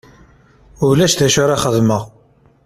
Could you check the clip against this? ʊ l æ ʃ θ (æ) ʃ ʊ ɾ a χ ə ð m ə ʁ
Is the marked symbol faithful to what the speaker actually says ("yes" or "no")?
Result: yes